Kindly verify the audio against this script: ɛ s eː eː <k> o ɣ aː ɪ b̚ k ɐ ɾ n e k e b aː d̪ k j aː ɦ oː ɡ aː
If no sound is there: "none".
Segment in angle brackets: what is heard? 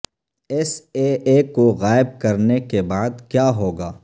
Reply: k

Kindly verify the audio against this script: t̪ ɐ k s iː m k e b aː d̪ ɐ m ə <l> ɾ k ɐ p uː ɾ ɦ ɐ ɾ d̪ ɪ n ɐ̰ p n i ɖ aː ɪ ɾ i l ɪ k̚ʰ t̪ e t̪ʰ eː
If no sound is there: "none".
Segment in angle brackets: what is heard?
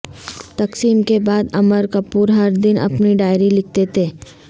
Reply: none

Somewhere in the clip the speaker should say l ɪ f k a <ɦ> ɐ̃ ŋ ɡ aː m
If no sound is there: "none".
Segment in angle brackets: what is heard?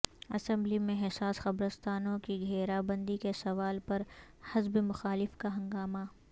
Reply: ɦ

